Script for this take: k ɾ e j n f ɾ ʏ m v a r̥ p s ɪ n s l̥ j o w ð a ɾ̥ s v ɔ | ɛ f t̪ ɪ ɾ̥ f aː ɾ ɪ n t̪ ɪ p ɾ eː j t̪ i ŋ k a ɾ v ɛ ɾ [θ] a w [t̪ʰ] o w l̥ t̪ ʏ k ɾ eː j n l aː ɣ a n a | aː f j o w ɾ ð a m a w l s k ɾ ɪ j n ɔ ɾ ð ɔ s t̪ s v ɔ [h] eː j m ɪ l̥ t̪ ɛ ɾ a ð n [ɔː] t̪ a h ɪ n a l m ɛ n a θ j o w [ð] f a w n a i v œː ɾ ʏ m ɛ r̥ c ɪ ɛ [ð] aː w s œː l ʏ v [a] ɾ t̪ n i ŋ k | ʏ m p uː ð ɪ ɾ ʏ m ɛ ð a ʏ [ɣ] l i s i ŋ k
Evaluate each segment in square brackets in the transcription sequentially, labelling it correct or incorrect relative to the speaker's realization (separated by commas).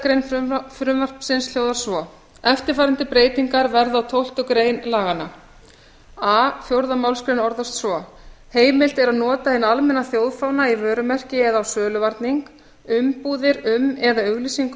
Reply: incorrect, correct, correct, correct, correct, correct, correct, correct